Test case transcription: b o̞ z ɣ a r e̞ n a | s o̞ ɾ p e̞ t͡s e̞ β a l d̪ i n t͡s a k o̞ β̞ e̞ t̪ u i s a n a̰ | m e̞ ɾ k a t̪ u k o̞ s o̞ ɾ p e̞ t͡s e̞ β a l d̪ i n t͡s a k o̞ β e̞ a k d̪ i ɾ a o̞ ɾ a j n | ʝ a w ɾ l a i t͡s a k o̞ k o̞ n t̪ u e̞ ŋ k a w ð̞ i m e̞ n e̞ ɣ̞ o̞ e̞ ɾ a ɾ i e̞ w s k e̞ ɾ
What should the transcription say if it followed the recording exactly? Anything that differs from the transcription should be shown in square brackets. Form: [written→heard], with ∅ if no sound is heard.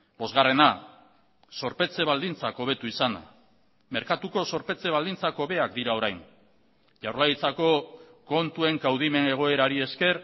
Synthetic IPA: b o̞ z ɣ a r e̞ n a | s o̞ ɾ p e̞ t͡s e̞ β a l d̪ i n t͡s a k o̞ β̞ e̞ t̪ u i s a n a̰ | m e̞ ɾ k a t̪ u k o̞ s o̞ ɾ p e̞ t͡s e̞ β a l d̪ i n t͡s a k o̞ β e̞ a k d̪ i ɾ a o̞ ɾ a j n | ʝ a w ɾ l a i t͡s a k o̞ k o̞ n t̪ u e̞ ŋ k a w ð̞ i m e̞ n e̞ ɣ̞ o̞ e̞ ɾ a ɾ i e̞ [w→∅] s k e̞ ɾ